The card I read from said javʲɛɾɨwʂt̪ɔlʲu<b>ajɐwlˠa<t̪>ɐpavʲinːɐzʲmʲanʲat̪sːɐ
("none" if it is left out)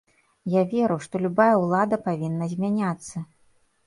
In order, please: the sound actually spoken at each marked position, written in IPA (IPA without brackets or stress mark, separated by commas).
b, d̪